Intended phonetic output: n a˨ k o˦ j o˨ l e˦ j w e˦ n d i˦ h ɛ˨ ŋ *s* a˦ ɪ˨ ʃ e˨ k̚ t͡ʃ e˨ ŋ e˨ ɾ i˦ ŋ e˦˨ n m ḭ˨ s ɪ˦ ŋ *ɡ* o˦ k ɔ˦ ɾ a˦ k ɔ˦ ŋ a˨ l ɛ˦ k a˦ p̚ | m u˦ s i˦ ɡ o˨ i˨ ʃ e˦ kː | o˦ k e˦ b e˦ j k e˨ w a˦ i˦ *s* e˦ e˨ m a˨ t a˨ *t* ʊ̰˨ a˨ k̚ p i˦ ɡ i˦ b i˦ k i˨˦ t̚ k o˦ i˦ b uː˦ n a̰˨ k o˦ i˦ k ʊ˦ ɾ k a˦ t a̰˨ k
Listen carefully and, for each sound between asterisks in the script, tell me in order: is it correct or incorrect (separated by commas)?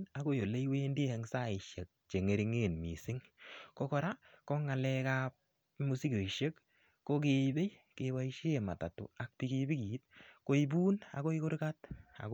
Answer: correct, incorrect, incorrect, correct